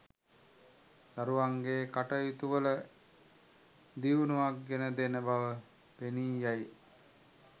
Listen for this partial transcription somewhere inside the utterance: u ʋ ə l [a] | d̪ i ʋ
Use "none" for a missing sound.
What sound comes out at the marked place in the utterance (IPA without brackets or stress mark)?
ə